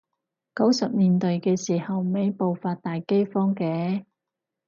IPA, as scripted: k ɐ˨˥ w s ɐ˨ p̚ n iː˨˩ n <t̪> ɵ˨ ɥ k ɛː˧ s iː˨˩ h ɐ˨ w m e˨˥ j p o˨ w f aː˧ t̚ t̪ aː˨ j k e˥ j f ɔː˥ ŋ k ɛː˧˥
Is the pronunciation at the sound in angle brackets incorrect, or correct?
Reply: correct